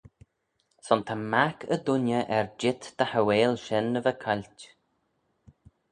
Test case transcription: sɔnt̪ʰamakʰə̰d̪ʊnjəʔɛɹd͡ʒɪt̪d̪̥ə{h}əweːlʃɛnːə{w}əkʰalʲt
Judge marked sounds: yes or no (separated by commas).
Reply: yes, no